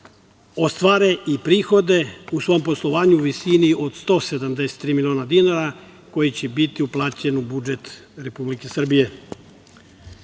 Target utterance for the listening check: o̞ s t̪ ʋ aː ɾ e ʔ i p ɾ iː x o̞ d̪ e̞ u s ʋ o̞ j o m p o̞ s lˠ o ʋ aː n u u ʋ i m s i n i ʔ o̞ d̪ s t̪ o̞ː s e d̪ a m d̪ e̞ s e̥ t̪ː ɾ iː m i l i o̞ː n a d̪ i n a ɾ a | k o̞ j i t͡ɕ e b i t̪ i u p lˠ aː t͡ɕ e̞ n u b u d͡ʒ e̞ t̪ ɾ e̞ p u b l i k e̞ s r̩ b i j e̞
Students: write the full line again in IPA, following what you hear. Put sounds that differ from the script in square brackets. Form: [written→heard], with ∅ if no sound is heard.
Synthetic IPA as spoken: o̞ s t̪ ʋ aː ɾ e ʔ i p ɾ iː x o̞ d̪ e̞ u s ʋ o̞ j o m p o̞ s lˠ o ʋ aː [n→ɲ] u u ʋ i [m→∅] s i n i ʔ o̞ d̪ s t̪ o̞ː s e d̪ a m d̪ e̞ s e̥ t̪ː ɾ iː m i l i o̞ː n a d̪ i n a ɾ a | k o̞ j i t͡ɕ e b i t̪ i u p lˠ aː t͡ɕ e̞ n u b u d͡ʒ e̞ t̪ ɾ e̞ p u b l i k e̞ s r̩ b i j e̞

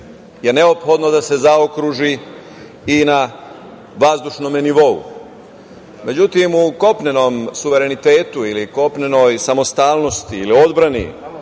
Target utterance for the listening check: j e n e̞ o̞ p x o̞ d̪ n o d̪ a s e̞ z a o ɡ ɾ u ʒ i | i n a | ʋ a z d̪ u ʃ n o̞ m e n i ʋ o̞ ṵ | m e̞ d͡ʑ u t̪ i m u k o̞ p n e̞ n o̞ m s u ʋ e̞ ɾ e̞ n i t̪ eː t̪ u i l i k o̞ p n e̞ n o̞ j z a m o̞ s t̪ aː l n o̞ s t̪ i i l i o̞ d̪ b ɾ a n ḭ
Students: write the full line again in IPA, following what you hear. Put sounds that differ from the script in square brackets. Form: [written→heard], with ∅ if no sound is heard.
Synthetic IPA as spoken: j e n e̞ o̞ p x o̞ d̪ n o d̪ a s e̞ z a o [ɡ→k] ɾ u ʒ i | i n a | ʋ a z d̪ u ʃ n o̞ m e n i ʋ o̞ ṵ | m e̞ d͡ʑ u t̪ i m u k o̞ p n e̞ n o̞ m s u ʋ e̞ ɾ e̞ n i t̪ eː t̪ u i l i k o̞ p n e̞ n o̞ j [z→s] a m o̞ s t̪ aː l n o̞ s t̪ i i l i o̞ d̪ b ɾ a n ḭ

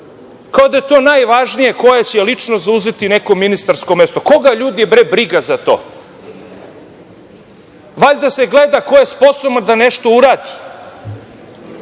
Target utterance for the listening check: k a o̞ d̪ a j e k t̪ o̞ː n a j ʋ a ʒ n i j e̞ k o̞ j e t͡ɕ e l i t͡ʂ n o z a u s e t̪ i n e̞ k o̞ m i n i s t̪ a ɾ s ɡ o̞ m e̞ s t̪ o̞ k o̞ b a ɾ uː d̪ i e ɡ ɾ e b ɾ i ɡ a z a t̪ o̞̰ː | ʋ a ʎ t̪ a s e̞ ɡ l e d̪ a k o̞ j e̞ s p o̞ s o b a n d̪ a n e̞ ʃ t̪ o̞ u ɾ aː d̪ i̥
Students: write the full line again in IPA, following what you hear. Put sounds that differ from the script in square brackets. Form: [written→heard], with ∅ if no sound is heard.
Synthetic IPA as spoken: k a o̞ d̪ a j e [k→∅] t̪ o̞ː n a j ʋ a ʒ n i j e̞ k o̞ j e t͡ɕ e l i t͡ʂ n o z a u [s→z] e t̪ i n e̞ k o̞ m i n i s t̪ a ɾ s [ɡ→k] o̞ m e̞ s t̪ o̞ k o̞ [b→ɡ] a [ɾ→ʎ] uː d̪ i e [ɡ→b] ɾ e b ɾ i ɡ a z a t̪ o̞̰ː | ʋ a ʎ [t̪→d̪] a s e̞ ɡ l e d̪ a k o̞ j e̞ s p o̞ s o b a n d̪ a n e̞ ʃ t̪ o̞ u ɾ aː d̪ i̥

